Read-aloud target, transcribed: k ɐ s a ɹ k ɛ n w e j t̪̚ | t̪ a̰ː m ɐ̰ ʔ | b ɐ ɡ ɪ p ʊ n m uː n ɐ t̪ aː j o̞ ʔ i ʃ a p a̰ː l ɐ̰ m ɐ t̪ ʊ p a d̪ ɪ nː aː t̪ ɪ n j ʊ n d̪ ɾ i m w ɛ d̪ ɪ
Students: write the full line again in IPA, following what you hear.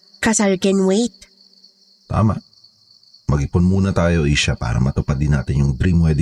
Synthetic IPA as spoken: k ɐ s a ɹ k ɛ n w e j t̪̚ | t̪ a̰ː m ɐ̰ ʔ | m ɐ ɡ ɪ p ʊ n m uː n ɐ t̪ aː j o̞ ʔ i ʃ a p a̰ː ɾ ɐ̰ m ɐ t̪ ʊ p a d̪ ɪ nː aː t̪ ɪ n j ʊ ŋ d̪ ɾ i m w ɛ d̪ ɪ